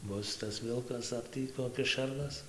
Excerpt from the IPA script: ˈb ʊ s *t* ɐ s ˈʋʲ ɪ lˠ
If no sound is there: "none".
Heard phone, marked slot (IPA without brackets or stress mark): t